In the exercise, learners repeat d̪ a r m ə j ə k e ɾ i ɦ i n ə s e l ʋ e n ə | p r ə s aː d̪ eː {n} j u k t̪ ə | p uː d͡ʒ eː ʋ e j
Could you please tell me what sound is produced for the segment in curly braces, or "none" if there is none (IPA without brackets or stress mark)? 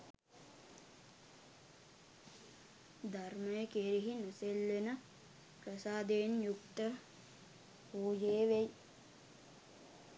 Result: n